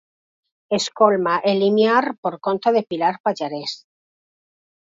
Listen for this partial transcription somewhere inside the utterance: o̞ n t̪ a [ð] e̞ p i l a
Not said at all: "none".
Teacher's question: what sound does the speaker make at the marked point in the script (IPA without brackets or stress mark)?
ð